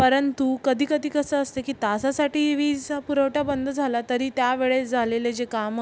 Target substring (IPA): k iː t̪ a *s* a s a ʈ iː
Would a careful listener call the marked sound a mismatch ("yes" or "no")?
no